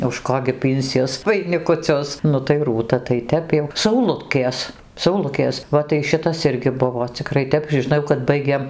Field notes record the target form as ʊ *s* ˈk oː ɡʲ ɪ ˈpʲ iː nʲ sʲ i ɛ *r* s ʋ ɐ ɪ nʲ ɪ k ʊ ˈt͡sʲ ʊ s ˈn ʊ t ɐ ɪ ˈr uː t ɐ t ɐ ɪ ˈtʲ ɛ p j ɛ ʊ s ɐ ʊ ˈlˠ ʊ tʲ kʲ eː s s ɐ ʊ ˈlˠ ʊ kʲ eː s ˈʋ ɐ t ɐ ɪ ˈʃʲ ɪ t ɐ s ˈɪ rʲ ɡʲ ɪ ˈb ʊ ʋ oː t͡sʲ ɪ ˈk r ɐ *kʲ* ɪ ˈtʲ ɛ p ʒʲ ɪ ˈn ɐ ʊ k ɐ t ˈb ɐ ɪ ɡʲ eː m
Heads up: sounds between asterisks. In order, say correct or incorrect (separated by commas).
incorrect, incorrect, incorrect